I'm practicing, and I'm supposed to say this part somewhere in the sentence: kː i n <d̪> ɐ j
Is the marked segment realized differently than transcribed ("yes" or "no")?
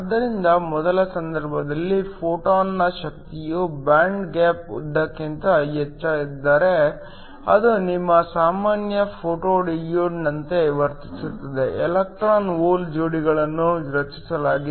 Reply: yes